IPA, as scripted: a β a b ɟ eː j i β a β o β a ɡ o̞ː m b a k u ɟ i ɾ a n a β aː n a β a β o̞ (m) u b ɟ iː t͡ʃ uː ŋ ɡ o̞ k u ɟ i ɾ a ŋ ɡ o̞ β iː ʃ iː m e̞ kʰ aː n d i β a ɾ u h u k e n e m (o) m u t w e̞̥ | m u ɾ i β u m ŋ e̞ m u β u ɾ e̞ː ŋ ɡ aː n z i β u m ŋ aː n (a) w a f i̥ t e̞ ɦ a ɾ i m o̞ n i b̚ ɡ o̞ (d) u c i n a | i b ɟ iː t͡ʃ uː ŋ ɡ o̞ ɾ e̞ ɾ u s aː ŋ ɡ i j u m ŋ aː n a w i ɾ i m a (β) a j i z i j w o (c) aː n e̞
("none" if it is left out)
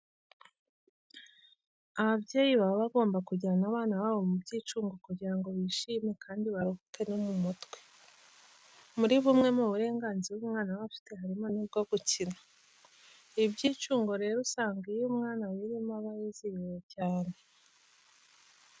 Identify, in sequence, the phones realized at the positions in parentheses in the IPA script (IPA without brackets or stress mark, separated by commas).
m, u, a, ɡ, β, c